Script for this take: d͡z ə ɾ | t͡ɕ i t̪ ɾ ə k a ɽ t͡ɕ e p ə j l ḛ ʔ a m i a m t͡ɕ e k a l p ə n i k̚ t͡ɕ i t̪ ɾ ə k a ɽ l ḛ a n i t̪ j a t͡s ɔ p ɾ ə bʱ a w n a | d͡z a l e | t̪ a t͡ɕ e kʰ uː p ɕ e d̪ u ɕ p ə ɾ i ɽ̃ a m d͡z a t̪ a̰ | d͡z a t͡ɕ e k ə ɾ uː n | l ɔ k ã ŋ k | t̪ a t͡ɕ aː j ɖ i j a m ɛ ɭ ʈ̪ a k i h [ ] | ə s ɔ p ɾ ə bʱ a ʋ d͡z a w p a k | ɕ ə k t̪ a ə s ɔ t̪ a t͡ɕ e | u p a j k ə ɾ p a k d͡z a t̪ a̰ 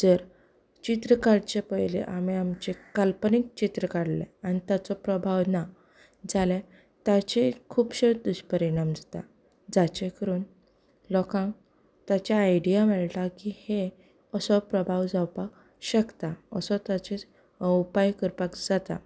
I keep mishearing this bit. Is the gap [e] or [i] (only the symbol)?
e